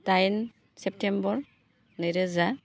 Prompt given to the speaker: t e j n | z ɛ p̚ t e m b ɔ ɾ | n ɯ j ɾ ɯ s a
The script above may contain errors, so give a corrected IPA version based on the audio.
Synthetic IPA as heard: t a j n | s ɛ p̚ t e m b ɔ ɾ | n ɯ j ɾ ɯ z a